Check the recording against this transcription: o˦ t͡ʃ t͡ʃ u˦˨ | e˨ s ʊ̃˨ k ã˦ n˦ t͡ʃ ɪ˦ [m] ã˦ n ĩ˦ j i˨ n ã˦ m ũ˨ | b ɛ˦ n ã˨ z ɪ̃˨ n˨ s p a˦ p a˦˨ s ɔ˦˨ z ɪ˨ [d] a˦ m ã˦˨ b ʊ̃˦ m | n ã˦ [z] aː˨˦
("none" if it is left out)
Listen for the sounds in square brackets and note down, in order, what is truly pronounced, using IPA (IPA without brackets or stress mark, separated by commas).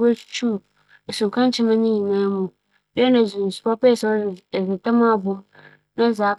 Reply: m, t, z